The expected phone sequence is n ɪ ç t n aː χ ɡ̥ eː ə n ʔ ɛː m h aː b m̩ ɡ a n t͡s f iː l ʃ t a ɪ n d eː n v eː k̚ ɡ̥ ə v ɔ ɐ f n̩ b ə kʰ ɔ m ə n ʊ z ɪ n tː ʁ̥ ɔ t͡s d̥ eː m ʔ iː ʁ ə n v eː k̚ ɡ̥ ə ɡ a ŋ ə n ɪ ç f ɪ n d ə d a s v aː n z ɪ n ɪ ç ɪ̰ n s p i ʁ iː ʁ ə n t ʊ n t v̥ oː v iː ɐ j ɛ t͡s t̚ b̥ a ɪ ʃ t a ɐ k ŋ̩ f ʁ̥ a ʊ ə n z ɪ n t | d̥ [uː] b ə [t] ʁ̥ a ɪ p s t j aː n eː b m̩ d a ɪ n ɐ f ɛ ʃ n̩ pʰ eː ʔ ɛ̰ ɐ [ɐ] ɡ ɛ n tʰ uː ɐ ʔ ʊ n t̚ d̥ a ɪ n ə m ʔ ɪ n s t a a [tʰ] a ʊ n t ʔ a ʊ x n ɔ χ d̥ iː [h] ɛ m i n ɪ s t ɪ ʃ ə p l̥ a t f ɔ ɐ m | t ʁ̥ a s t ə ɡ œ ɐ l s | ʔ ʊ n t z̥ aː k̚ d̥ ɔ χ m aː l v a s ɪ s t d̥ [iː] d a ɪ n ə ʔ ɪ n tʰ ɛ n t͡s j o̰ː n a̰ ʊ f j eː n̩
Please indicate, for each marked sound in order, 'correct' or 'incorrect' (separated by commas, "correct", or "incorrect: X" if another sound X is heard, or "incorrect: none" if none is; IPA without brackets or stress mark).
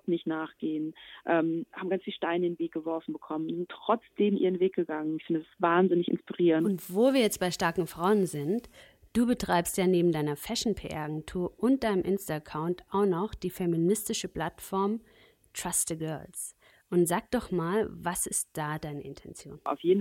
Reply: correct, correct, incorrect: a, incorrect: kʰ, incorrect: f, incorrect: aː